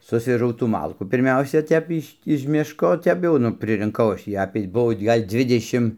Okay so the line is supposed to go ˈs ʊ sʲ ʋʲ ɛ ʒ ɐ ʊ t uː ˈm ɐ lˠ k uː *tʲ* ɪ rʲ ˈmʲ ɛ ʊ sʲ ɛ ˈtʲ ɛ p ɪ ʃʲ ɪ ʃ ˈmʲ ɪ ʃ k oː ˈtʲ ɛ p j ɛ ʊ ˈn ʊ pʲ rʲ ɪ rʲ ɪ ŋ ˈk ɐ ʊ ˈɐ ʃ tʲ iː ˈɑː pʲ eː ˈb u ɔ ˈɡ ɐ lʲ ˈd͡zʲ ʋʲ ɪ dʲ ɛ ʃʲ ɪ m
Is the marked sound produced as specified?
no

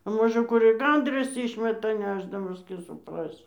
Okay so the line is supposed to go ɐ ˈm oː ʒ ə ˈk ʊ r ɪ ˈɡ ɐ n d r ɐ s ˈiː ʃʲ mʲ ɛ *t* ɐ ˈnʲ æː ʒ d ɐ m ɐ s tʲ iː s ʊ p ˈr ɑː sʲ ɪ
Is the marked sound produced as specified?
yes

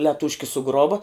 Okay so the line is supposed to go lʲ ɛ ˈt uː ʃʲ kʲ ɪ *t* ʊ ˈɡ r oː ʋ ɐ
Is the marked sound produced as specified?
no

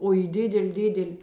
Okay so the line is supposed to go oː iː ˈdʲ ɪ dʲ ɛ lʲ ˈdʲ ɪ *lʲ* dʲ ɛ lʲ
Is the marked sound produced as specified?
no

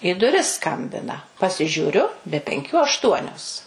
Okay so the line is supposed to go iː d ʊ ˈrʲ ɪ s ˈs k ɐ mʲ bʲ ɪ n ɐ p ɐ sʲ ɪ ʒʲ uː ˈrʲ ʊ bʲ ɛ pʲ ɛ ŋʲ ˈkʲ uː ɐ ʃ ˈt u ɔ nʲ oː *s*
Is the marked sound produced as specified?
yes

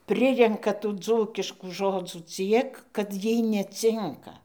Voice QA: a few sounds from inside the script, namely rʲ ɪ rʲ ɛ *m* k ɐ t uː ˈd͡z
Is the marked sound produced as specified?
no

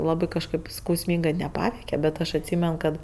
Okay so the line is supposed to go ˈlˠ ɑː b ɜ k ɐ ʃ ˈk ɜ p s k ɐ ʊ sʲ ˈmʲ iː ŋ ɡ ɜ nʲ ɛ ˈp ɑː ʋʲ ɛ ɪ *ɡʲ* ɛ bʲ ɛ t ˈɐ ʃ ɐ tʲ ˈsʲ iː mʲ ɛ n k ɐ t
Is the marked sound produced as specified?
no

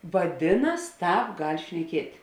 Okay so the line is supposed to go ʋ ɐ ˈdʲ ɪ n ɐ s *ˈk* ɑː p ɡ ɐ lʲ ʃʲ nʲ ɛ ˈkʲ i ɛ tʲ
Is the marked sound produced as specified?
no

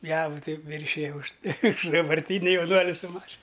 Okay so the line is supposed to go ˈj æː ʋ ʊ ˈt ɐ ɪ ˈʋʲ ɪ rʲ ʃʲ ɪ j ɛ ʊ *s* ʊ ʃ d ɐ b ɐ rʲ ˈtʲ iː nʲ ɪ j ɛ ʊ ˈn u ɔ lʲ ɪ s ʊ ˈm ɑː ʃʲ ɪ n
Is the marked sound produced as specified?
no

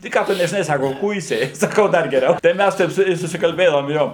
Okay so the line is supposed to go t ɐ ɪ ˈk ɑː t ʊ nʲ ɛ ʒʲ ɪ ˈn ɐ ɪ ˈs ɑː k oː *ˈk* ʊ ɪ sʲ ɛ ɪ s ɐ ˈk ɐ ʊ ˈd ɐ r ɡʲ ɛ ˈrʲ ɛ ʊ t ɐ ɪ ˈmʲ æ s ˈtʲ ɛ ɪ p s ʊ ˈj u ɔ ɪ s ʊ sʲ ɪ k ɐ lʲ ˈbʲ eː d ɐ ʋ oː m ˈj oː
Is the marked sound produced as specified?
yes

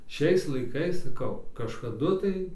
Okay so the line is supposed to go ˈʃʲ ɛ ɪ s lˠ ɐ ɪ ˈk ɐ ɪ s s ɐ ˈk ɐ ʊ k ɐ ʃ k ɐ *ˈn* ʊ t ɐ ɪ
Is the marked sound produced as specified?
no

